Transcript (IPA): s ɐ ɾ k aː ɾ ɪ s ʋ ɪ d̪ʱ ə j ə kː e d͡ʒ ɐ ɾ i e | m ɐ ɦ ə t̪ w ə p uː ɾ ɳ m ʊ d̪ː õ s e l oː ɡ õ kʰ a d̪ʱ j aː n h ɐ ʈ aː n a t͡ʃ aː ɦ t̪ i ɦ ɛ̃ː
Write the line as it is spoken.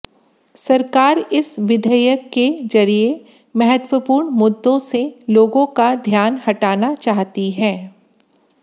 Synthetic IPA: s ɐ ɾ k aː ɾ ɪ s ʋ ɪ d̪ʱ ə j ə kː e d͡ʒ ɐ ɾ i e | m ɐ ɦ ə t̪ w ə p uː ɾ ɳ m ʊ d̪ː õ s e l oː ɡ õ k a d̪ʱ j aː n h ɐ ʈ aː n a t͡ʃ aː ɦ t̪ i ɦ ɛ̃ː